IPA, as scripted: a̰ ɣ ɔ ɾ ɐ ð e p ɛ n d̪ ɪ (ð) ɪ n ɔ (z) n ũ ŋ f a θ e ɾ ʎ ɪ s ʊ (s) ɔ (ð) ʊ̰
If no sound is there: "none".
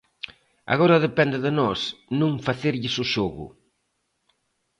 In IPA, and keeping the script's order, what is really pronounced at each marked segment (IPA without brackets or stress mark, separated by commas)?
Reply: ð, s, ʃ, ɣ